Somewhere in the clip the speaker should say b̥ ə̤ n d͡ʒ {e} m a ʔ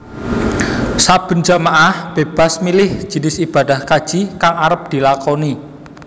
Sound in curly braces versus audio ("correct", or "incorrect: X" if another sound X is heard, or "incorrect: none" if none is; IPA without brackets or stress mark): incorrect: a